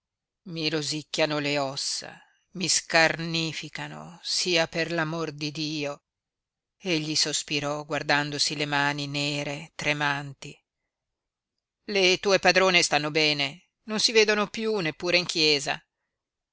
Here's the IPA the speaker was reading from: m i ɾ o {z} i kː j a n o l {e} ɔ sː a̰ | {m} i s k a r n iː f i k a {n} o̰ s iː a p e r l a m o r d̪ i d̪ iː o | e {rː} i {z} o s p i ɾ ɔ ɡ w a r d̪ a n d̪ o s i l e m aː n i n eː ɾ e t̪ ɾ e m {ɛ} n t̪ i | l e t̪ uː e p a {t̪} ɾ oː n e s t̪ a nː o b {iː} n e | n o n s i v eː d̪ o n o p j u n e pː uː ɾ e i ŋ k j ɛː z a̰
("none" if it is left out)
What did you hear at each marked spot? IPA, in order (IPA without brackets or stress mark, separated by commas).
z, e, m, n, ʎː, s, a, d̪, ɛː